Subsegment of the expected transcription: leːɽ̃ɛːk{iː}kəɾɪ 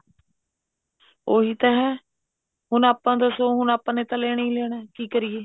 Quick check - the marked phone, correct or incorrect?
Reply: correct